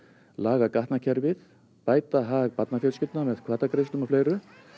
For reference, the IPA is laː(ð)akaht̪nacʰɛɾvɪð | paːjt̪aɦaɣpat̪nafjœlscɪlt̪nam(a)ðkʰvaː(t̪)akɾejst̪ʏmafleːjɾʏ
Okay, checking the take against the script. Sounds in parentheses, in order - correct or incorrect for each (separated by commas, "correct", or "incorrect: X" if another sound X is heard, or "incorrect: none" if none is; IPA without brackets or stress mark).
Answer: incorrect: ɣ, incorrect: ɛ, correct